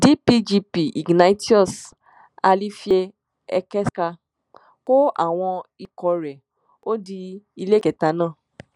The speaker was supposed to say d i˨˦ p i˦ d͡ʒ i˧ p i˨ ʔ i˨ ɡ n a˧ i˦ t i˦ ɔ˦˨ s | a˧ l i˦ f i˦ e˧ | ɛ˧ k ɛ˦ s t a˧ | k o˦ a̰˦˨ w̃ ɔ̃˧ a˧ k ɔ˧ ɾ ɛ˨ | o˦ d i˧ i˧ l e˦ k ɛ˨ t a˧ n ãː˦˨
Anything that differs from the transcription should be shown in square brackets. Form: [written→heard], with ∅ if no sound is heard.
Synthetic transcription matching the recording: d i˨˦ p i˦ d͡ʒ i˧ p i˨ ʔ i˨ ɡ n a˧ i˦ t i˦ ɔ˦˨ s | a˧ l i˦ f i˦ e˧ | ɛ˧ k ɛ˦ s [t→k] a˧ | k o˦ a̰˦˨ w̃ ɔ̃˧ [a˧→i˧] k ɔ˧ ɾ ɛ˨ | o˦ d i˧ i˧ l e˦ k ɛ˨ t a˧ n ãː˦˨